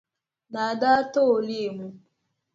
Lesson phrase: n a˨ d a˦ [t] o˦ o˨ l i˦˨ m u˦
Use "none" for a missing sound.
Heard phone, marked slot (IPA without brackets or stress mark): t